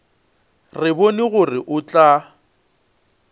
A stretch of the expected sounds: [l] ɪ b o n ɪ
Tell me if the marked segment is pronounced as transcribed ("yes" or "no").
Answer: no